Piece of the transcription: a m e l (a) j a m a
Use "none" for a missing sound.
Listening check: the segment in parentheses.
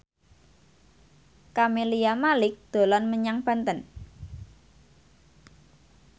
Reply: i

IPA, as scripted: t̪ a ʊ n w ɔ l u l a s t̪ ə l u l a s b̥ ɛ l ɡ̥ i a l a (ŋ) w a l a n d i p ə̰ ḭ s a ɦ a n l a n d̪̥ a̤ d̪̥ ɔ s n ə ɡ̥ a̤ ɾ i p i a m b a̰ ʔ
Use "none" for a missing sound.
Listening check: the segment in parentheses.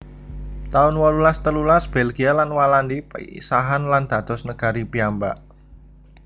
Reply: n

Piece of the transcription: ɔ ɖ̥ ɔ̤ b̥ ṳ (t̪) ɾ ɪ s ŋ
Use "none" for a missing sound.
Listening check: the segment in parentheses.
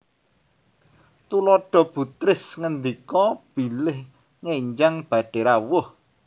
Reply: t̪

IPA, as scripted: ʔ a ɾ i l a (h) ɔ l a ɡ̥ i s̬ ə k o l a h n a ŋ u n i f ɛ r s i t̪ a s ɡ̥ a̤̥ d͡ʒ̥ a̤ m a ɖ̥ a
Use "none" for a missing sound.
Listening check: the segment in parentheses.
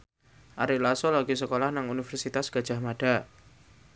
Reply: s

